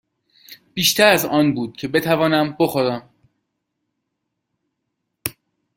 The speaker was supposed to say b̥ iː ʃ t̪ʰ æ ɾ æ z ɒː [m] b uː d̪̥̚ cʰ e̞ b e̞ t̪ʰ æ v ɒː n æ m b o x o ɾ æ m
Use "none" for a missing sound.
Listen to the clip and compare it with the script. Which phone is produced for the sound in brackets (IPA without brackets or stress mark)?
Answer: n